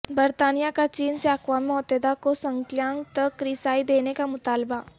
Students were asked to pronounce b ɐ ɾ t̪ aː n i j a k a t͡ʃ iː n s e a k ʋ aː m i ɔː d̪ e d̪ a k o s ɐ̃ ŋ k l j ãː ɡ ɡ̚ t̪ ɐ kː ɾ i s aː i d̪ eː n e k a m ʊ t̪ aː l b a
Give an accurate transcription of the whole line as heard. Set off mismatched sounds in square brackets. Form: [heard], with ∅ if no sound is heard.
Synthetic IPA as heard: b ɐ ɾ t̪ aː n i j a k a t͡ʃ iː n s e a k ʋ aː m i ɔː [t̪] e d̪ a k o s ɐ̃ ŋ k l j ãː [ŋ] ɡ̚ t̪ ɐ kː ɾ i s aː i d̪ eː n e k a m ʊ t̪ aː l b a